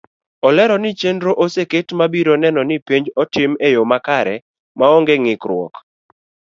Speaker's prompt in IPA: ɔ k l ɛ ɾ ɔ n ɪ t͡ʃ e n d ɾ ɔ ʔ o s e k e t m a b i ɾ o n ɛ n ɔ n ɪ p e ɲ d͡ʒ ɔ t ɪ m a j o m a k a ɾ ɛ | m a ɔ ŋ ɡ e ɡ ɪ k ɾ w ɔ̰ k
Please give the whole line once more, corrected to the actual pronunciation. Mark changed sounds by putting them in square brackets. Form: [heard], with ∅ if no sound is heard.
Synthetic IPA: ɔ [∅] l ɛ ɾ ɔ n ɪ t͡ʃ e n d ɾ [o] ʔ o s e k e t m a b i ɾ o n ɛ n ɔ n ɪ p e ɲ d͡ʒ ɔ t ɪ m [e] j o m a k a ɾ ɛ | m a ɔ ŋ ɡ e [ŋ] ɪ k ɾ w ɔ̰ k